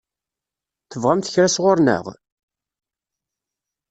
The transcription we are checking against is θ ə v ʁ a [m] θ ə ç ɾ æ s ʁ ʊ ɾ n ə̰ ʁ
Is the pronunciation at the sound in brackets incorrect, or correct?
correct